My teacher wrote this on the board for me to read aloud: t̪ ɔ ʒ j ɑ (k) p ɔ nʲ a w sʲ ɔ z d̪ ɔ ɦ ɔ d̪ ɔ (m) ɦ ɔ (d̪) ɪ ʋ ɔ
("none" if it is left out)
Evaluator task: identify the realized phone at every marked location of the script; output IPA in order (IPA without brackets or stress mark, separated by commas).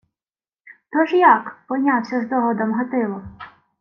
k, m, t̪